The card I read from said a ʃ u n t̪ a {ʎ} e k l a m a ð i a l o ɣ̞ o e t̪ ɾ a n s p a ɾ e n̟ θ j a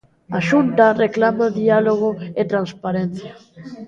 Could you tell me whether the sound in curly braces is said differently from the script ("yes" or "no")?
yes